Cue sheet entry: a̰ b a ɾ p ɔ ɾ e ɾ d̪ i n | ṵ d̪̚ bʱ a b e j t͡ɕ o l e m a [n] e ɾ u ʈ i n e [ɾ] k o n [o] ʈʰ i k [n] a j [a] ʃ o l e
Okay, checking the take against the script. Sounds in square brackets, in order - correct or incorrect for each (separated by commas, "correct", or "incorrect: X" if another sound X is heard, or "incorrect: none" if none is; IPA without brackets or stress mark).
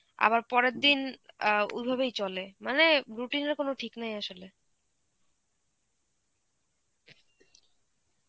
correct, correct, correct, correct, correct